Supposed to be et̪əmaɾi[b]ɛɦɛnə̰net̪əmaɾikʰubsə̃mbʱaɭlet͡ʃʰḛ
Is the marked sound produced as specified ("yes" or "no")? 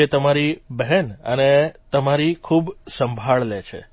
yes